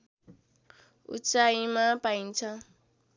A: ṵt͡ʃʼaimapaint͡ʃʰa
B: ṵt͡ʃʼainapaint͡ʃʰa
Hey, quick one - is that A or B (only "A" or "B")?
A